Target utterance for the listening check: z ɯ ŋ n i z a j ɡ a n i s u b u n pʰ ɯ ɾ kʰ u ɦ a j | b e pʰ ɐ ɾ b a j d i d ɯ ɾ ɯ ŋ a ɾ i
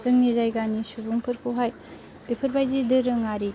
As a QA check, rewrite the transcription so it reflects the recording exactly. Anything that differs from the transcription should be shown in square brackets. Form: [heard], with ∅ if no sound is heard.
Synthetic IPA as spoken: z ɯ ŋ n i z a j ɡ a n i s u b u [ŋ] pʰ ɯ ɾ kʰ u ɦ a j | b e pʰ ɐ ɾ b a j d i d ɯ ɾ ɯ ŋ a ɾ i